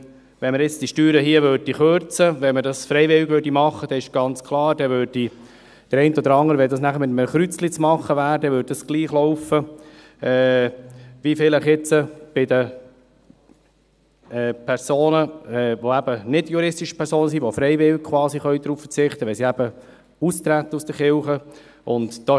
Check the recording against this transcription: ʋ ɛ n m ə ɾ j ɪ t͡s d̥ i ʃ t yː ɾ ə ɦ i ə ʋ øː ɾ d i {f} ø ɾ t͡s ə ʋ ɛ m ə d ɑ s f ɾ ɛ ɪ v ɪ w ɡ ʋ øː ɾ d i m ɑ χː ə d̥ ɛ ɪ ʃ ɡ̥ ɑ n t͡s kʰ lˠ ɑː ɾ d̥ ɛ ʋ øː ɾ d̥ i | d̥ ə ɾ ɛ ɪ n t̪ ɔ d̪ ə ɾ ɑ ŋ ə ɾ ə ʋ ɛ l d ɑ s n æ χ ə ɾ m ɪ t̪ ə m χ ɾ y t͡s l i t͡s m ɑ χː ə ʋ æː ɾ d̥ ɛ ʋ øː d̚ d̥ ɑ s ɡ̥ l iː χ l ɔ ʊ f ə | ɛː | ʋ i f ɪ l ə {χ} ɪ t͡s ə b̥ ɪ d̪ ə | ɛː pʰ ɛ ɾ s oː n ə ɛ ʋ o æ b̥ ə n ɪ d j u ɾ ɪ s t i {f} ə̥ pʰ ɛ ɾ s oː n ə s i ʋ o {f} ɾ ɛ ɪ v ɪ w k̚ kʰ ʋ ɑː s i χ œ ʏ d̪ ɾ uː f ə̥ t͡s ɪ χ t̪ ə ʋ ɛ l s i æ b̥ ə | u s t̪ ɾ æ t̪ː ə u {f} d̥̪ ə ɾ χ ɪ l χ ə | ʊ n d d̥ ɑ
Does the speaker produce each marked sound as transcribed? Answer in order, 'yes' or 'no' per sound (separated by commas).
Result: no, yes, no, yes, no